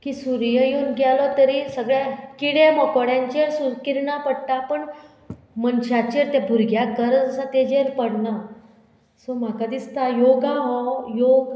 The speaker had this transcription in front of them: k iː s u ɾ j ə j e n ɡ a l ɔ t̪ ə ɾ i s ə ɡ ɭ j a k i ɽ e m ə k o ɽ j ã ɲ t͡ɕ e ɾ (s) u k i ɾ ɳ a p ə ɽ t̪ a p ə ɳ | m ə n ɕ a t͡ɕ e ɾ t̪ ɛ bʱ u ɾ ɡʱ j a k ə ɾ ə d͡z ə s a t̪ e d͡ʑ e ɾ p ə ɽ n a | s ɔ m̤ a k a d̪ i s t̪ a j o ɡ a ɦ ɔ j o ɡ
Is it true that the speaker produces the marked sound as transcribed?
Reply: yes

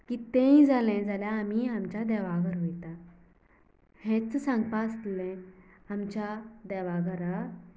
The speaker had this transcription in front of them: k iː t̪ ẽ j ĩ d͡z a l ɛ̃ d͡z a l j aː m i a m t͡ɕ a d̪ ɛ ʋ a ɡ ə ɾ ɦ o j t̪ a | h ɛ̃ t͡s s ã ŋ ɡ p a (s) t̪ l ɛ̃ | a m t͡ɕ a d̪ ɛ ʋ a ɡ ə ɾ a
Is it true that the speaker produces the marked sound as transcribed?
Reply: yes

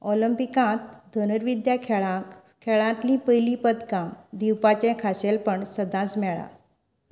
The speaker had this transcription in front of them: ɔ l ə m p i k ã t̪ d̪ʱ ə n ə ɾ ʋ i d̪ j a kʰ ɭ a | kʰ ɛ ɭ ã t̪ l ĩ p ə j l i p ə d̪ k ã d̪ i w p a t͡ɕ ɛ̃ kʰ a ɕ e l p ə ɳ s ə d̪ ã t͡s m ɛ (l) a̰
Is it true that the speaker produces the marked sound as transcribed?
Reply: no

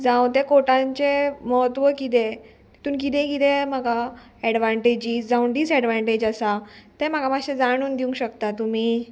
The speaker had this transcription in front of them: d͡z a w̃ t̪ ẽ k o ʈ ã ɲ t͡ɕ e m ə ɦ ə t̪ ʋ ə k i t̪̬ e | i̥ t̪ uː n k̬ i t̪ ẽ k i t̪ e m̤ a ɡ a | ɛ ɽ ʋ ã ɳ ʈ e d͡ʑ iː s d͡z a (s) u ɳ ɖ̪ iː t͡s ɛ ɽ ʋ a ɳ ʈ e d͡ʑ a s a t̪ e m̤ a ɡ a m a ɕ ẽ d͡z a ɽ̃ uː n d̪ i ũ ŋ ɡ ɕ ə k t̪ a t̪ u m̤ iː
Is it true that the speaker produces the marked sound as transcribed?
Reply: no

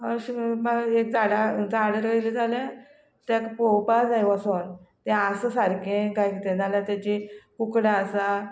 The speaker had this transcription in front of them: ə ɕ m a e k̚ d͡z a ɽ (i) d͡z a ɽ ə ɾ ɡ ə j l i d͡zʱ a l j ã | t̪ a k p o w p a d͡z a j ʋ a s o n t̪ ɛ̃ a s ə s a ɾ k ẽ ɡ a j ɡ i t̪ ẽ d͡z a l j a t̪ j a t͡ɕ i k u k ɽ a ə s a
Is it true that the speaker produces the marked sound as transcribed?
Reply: no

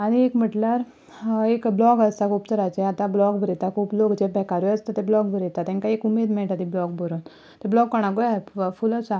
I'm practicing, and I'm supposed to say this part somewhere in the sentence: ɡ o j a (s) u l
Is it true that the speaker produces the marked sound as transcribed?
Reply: no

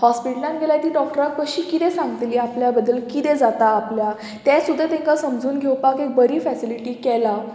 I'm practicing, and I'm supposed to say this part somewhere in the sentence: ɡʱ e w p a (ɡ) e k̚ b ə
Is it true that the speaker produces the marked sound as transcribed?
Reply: no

